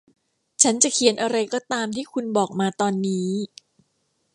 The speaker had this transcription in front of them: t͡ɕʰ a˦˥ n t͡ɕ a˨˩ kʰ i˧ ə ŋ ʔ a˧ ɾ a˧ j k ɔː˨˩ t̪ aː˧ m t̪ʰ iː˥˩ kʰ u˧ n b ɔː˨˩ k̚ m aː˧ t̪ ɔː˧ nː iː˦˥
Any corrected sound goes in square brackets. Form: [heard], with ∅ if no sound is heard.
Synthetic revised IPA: t͡ɕʰ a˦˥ n t͡ɕ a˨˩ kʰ i˧ ə [n] ʔ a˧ ɾ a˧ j k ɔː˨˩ t̪ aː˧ m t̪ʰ iː˥˩ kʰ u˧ n b ɔː˨˩ k̚ m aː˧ t̪ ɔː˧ nː iː˦˥

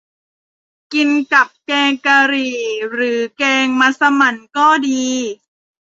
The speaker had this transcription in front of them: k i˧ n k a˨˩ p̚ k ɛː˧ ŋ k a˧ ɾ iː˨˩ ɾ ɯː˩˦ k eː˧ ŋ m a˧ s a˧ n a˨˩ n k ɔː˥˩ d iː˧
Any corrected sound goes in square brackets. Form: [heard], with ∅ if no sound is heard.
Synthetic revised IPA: k i˧ n k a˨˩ p̚ k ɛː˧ ŋ k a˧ ɾ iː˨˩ ɾ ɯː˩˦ k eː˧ ŋ m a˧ s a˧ [m] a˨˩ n k ɔː˥˩ d iː˧

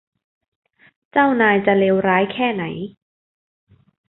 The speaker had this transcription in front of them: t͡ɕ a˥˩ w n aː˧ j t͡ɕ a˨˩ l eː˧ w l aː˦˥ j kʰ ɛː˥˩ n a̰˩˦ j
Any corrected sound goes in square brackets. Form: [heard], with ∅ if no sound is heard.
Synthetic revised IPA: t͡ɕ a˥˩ w n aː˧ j t͡ɕ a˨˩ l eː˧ w [ɾ] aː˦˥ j kʰ ɛː˥˩ n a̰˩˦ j

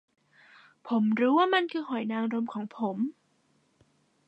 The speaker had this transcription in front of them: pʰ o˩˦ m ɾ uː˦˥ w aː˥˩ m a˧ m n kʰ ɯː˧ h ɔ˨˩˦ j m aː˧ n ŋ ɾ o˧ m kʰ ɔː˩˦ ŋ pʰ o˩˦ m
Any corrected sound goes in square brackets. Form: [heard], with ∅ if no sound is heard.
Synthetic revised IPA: pʰ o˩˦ m ɾ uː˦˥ w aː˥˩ m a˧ [∅] n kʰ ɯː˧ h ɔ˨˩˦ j [n] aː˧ [∅] ŋ ɾ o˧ m kʰ ɔː˩˦ ŋ pʰ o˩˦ m

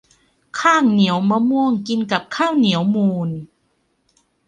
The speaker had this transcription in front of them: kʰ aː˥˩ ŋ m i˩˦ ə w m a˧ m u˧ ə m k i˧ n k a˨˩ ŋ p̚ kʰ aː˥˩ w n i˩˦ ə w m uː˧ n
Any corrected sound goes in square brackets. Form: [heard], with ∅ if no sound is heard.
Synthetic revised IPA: kʰ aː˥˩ ŋ [n] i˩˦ ə w m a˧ m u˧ ə [ŋ] k i˧ n k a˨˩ [∅] p̚ kʰ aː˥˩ w n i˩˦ ə w m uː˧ n

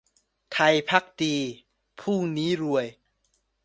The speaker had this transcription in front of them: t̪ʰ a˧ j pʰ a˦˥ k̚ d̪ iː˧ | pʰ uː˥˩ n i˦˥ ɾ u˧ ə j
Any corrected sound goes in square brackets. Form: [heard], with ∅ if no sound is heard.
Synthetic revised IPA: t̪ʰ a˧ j pʰ a˦˥ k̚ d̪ iː˧ | pʰ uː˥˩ n [iː˦˥] ɾ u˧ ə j

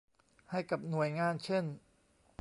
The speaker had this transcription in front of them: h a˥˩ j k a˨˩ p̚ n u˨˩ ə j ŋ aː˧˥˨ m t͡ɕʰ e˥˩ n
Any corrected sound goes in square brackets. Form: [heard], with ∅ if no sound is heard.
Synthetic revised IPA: h a˥˩ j k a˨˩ p̚ n u˨˩ ə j ŋ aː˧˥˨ [n] t͡ɕʰ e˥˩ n

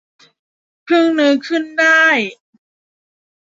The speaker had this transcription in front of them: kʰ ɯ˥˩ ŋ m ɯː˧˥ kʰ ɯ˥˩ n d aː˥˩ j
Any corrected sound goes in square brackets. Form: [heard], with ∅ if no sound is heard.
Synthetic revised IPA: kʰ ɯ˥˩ ŋ [n] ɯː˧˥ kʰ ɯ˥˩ n d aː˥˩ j

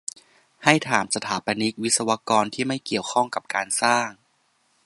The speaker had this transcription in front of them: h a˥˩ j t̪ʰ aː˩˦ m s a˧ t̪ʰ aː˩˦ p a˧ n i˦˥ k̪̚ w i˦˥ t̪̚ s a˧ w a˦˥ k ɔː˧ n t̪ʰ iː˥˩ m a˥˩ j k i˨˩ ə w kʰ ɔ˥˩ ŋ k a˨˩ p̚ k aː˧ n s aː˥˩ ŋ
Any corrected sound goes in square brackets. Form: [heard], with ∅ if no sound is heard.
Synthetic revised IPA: h a˥˩ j t̪ʰ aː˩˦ m s a˧ t̪ʰ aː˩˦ p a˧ n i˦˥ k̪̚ w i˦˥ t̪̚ s a˧ w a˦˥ k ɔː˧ n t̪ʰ iː˥˩ m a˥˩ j k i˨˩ ə w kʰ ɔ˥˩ ŋ k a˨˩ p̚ k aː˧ n s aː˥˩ ŋ

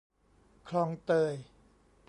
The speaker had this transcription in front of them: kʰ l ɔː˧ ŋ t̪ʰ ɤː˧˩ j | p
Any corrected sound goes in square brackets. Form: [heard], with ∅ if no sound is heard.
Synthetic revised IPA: kʰ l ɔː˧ ŋ [t̪] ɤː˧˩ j | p

